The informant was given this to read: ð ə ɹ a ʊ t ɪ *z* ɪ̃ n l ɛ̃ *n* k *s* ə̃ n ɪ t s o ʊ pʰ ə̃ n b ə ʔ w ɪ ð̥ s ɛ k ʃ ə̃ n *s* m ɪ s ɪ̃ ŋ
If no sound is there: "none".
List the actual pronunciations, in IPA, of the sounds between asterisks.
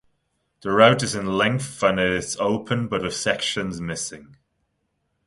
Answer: z, ŋ, θ, z

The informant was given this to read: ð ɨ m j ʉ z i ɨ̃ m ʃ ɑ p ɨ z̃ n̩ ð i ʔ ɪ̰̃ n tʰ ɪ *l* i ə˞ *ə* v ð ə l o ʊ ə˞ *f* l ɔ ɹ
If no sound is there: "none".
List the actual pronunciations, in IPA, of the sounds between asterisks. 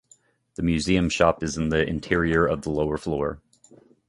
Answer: ɹ, ʌ, f

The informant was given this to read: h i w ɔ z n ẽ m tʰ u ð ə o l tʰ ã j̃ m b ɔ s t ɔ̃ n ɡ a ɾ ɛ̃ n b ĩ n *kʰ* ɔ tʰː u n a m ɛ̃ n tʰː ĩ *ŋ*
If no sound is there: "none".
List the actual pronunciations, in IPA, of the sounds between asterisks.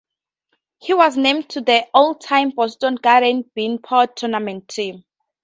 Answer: pʰ, m

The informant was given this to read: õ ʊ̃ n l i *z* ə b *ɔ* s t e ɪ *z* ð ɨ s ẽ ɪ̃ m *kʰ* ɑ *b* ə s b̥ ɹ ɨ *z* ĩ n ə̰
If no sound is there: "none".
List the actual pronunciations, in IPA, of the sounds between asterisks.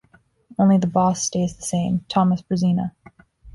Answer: ð, ɔ, z, tʰ, m, z

